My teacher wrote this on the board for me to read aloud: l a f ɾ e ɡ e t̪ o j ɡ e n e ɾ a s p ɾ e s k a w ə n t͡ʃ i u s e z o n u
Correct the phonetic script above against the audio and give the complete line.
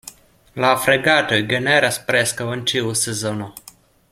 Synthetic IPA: l a f ɾ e ɡ a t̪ o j ɡ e n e ɾ a s p ɾ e s k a w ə n t͡ʃ i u s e z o n o